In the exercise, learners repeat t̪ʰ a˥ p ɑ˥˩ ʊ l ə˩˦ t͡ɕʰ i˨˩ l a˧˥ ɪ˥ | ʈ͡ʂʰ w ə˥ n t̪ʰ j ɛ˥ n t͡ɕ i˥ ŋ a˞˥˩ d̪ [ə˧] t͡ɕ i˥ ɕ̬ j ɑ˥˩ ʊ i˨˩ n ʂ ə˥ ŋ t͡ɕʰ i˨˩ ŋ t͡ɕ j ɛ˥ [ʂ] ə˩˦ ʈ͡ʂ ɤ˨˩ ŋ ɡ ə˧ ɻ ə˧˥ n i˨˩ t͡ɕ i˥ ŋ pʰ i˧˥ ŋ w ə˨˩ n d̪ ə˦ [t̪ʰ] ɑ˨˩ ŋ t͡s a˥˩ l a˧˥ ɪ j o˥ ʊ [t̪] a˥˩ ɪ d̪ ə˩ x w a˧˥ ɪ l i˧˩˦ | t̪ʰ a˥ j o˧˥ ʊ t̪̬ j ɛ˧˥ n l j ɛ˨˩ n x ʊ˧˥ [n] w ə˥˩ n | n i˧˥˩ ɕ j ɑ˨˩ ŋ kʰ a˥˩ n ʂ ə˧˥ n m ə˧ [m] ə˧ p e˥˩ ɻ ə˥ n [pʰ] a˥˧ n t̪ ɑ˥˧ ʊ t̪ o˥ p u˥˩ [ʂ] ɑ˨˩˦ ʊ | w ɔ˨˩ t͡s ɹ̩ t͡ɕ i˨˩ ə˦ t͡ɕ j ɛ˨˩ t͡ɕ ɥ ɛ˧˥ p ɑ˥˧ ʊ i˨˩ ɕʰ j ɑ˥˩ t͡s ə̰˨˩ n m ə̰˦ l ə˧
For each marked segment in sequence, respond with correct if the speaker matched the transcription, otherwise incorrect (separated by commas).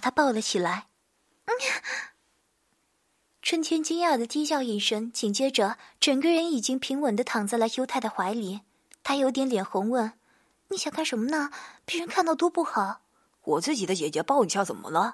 incorrect, incorrect, correct, incorrect, incorrect, incorrect, incorrect, incorrect